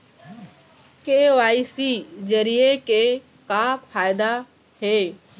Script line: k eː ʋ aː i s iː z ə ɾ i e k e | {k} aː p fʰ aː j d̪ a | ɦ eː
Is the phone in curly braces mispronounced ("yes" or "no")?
no